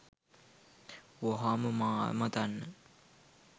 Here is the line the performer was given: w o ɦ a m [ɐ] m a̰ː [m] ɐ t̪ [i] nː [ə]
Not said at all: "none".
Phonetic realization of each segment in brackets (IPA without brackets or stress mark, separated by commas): ə, m, a, ə